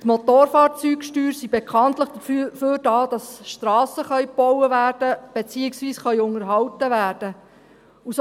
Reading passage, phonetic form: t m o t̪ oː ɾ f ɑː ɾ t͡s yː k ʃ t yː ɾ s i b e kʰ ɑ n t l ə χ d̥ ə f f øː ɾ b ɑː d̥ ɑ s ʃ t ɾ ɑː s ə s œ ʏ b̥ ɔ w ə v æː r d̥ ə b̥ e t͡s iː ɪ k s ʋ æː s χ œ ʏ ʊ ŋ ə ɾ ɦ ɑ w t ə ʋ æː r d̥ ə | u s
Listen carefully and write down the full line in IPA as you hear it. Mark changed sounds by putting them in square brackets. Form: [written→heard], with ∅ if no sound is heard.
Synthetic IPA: t m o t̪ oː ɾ f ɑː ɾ t͡s yː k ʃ t yː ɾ s i b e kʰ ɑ n t l ə χ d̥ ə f f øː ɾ [b→d] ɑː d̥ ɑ s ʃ t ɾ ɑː s ə [s→χ] œ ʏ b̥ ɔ w ə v æː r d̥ ə b̥ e t͡s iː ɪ k s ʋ [æː→iː] s χ œ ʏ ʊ ŋ ə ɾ ɦ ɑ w t ə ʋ æː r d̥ ə | u s

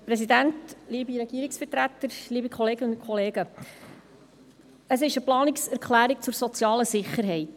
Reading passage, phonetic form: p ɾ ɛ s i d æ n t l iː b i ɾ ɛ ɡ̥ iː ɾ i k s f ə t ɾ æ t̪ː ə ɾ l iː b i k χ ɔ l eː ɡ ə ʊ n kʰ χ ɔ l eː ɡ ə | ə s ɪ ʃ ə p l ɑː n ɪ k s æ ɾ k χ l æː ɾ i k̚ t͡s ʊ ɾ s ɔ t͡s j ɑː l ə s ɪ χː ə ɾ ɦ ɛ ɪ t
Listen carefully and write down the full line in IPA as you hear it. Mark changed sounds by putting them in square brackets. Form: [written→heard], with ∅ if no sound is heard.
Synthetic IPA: p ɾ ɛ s i d æ n t l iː b i ɾ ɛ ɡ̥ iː ɾ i k s f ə t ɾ æ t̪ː ə ɾ l iː b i k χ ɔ l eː ɡ ə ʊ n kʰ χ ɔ l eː ɡ ə | ə s ɪ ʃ ə p l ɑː n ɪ k s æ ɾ k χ l æː ɾ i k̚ t͡s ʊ ɾ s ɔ t͡s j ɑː l ə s ɪ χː ə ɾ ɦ ɛ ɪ t

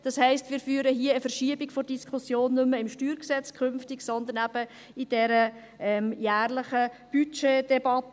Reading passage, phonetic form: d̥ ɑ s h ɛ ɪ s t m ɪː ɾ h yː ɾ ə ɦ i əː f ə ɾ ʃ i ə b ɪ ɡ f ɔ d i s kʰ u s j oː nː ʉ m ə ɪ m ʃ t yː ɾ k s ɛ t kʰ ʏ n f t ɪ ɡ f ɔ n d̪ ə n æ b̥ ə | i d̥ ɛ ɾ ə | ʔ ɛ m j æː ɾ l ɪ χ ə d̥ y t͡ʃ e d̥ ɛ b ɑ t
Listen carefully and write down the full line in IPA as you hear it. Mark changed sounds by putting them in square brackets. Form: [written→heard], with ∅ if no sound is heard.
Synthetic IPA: d̥ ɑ s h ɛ ɪ s t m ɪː ɾ [h→f] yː ɾ ə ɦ i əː f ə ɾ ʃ i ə b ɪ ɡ f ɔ d i s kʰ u s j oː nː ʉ m ə ɪ m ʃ t yː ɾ k s ɛ [t→t͡s] kʰ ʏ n f t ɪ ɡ [f→s] ɔ n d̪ ə n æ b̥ ə | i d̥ ɛ ɾ ə | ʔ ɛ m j æː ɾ l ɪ χ ə [d̥→b̥] y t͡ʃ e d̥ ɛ b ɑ t

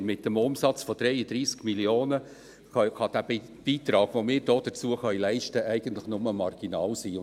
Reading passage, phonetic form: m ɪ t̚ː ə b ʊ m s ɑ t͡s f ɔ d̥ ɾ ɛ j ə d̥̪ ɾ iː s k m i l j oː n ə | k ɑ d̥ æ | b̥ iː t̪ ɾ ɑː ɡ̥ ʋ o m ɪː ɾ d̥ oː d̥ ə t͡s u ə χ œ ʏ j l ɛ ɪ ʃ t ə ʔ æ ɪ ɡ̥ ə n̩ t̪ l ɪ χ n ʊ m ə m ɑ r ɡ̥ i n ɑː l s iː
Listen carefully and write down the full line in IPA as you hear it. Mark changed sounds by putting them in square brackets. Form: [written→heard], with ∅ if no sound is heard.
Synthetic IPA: m ɪ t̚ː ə [b→m] ʊ m s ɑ t͡s f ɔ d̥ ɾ ɛ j ə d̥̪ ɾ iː s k m i l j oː n ə | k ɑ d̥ æ | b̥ iː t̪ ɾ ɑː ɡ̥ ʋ o m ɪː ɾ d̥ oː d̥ ə t͡s u ə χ œ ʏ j l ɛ ɪ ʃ t ə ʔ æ ɪ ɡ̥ ə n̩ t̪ l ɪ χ n ʊ m ə m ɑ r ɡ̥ i n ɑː l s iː

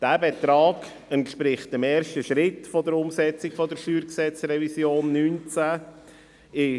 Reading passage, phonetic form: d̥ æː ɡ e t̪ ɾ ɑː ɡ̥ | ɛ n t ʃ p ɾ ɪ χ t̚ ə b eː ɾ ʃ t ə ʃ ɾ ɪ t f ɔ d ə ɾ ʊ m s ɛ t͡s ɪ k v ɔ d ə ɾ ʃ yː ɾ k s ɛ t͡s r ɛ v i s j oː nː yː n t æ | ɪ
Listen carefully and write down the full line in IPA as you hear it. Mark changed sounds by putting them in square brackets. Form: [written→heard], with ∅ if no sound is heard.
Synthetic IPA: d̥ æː [ɡ→b] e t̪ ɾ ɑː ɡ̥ | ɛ n t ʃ p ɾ ɪ χ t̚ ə [b→m] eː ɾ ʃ t ə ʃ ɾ ɪ t f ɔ d ə ɾ ʊ m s ɛ t͡s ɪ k [v→f] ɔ d ə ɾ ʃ yː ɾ k s ɛ t͡s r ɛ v i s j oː nː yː n [t→t͡s] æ | ɪ

